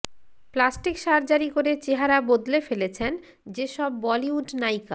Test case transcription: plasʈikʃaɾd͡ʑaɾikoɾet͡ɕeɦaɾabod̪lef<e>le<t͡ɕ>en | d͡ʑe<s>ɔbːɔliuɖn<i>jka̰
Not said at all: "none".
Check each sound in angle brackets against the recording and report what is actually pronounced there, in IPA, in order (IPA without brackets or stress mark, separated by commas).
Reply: e, t͡ɕʰ, ʃ, a